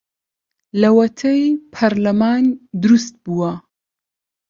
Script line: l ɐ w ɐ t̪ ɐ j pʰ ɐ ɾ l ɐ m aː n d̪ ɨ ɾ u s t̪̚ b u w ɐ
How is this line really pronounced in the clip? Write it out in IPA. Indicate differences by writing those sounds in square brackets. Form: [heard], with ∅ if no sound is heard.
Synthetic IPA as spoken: l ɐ w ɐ [t̪ʰ] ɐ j pʰ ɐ ɾ l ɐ m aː n d̪ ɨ ɾ u s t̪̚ b u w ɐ